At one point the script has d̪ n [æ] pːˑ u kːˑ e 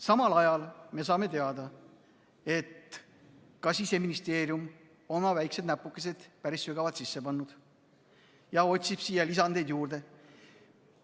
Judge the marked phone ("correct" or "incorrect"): correct